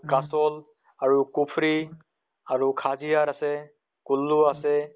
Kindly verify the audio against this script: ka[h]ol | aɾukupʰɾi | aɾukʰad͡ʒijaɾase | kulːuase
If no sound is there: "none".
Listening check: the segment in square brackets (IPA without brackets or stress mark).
s